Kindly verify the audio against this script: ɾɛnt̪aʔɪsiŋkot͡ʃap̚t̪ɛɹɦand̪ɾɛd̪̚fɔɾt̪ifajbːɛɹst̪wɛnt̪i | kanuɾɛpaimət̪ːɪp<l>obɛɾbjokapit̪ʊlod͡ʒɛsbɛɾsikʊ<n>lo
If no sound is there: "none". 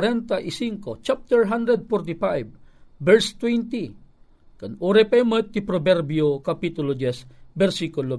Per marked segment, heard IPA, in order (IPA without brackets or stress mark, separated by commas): ɾ, none